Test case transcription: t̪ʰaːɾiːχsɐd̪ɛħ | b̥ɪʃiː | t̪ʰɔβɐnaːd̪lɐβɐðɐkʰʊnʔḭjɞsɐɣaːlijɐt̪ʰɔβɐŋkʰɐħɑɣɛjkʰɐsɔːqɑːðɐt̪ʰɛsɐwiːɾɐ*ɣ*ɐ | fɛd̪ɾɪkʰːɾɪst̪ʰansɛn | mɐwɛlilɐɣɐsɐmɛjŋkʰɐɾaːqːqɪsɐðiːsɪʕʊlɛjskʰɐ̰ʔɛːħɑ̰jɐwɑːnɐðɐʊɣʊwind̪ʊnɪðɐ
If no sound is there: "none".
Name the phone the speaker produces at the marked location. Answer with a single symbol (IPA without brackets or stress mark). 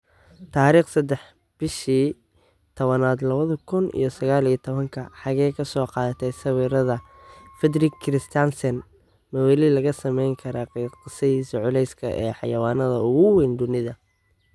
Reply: ð